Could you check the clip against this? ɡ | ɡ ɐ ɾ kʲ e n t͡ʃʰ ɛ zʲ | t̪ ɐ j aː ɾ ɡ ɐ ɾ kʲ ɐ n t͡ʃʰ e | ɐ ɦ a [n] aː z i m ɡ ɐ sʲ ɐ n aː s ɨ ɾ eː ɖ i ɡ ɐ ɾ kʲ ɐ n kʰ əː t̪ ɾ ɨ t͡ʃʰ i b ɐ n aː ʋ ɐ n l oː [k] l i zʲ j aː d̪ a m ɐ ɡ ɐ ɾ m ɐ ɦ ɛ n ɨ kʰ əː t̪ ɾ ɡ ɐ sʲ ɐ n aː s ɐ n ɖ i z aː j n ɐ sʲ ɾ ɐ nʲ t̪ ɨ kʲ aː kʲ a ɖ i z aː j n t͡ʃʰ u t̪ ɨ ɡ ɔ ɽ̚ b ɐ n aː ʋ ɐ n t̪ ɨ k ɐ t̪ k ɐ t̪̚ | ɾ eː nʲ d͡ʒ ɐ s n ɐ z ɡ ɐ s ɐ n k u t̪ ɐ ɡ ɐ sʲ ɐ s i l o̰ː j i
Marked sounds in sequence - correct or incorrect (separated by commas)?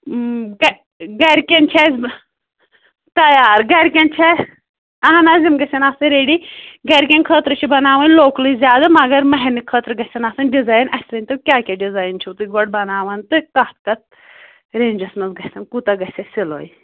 correct, correct